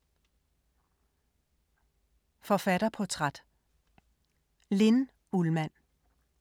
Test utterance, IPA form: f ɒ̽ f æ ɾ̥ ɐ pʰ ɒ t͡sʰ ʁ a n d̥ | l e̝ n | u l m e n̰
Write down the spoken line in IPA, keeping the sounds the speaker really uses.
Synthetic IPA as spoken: f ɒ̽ f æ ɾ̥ ɐ pʰ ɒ t͡sʰ ʁ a d̥ | l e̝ n | u l m æ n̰